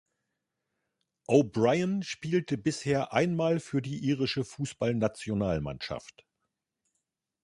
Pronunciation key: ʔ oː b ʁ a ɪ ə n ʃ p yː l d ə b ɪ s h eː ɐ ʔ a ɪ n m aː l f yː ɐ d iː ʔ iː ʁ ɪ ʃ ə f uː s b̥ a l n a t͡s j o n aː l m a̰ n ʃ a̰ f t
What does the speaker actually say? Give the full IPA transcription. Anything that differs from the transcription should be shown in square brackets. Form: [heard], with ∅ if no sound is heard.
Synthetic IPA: ʔ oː b ʁ a ɪ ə n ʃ p [iː] l [t] ə b ɪ s h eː ɐ ʔ a ɪ n m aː l f yː ɐ d iː ʔ iː ʁ ɪ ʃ ə f uː s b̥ a l n a t͡s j o n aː l m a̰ n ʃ a̰ f t